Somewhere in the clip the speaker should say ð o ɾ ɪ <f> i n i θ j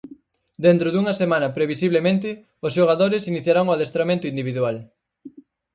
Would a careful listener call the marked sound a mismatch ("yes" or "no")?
yes